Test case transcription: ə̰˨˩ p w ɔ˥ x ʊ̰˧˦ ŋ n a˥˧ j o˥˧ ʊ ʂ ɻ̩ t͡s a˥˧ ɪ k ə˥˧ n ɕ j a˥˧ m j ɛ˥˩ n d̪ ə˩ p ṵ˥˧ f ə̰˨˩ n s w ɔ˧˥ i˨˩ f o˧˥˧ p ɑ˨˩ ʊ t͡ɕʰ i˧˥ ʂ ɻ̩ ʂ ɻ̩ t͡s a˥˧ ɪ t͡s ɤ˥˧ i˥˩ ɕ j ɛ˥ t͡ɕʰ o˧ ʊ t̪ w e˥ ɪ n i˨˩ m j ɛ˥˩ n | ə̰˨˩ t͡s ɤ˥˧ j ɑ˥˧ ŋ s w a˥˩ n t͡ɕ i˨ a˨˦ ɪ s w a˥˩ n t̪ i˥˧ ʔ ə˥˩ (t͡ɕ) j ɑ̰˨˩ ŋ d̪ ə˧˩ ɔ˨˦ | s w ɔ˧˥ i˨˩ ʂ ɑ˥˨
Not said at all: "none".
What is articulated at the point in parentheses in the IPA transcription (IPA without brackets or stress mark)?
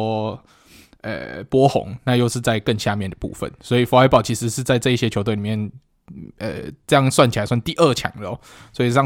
t͡ɕʰ